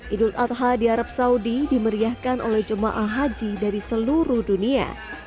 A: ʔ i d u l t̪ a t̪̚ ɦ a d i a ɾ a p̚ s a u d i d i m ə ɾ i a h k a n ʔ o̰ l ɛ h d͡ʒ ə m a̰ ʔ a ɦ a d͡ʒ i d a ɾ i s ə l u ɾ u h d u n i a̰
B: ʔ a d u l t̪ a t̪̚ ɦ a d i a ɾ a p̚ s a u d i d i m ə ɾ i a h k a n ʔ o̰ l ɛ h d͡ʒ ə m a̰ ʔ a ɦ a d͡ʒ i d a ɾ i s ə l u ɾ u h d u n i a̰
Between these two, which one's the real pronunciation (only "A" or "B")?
A